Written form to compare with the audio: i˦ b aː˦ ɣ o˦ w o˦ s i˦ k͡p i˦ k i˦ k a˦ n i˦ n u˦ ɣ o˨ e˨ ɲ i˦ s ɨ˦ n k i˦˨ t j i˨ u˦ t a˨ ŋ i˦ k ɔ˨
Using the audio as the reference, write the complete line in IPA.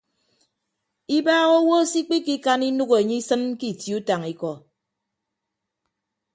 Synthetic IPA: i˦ b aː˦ ɣ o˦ w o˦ s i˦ k͡p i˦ k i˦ k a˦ n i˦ n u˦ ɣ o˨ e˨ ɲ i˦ s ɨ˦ n k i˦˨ t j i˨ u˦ t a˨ ŋ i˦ k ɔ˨